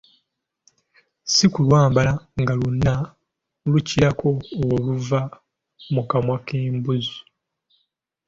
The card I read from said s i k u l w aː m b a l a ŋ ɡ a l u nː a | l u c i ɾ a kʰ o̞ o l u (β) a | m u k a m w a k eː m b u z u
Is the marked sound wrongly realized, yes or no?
yes